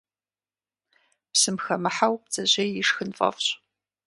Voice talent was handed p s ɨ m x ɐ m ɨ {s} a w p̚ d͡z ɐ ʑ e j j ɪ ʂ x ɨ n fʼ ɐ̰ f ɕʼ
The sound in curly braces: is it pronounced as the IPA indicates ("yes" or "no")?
no